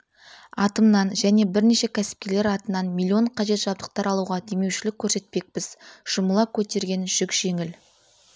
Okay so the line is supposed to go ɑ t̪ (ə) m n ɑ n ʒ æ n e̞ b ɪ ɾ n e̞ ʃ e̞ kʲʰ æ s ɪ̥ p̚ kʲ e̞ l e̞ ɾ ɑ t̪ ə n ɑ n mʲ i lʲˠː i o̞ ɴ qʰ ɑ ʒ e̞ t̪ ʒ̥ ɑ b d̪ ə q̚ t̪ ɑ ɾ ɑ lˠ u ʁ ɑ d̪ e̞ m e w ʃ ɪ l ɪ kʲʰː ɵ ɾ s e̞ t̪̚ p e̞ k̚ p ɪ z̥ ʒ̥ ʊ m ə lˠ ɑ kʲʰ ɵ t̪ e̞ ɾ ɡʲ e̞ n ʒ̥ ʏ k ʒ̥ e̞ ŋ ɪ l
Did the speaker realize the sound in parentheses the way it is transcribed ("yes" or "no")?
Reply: yes